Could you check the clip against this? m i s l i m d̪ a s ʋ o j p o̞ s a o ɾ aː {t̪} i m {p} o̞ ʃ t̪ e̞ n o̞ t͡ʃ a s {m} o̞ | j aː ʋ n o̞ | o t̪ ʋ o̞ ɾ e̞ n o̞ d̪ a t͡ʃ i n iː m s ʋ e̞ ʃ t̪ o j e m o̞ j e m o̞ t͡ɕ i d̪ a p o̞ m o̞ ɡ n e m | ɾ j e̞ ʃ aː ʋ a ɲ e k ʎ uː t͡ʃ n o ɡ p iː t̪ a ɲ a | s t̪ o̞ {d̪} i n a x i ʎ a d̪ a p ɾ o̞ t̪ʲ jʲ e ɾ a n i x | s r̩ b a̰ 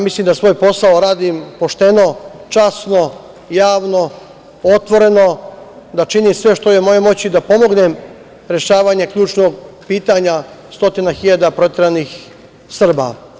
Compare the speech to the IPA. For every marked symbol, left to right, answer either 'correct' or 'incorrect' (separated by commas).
incorrect, correct, incorrect, incorrect